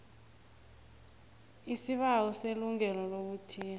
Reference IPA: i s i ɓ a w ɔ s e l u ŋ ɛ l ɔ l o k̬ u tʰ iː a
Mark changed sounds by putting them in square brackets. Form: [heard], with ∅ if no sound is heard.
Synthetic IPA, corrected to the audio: i s i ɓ a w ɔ s e l u ŋ ɛ l ɔ l o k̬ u tʰ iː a